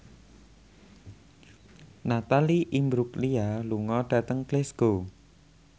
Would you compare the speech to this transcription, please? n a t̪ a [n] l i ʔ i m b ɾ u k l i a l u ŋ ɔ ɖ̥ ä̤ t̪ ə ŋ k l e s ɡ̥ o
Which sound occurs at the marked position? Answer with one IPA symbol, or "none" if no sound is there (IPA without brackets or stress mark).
none